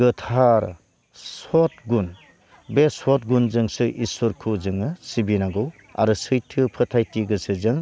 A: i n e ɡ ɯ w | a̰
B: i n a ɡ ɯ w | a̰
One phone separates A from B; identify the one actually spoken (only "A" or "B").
B